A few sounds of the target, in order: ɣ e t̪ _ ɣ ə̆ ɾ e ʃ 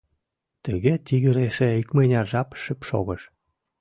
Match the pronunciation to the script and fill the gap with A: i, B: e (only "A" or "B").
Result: A